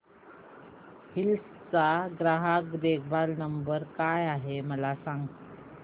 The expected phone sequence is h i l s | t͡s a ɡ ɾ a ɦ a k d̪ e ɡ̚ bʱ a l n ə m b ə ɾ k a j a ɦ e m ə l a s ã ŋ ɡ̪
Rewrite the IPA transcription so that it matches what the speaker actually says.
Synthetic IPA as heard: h i l s | t͡s a ɡ ɾ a ɦ a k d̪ e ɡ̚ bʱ a l n ə m b ə ɾ k a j a ɦ e m ə l a s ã ŋ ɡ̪